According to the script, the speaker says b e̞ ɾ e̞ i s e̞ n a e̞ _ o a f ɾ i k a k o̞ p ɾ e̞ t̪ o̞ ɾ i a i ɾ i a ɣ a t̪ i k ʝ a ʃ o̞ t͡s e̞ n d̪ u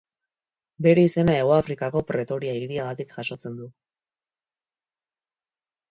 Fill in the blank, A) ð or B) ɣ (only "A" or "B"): B